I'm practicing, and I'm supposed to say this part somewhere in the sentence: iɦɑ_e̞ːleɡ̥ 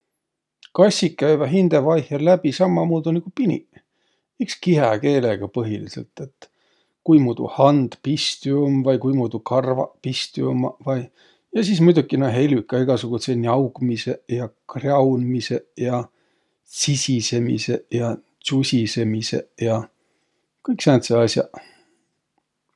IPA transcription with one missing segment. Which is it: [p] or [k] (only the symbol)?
k